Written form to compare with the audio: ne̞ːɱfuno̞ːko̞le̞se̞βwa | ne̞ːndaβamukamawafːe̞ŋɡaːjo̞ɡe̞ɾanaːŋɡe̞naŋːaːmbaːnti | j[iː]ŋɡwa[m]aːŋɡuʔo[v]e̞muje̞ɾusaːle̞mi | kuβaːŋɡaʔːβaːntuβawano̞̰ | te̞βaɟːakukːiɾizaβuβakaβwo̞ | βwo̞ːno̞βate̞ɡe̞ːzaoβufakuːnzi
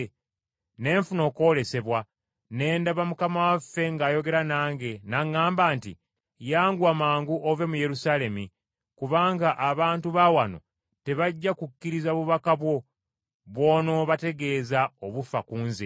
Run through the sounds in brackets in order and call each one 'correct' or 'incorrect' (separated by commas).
incorrect, correct, correct